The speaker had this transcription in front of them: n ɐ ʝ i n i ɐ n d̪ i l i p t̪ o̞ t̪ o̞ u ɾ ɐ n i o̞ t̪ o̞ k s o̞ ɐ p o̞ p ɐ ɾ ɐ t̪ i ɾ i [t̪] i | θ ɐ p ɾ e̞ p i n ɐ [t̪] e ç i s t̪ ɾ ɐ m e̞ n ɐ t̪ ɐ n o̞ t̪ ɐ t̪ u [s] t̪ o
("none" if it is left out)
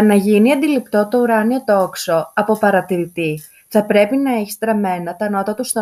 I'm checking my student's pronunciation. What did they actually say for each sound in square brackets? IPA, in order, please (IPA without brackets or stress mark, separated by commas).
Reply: t̪, none, s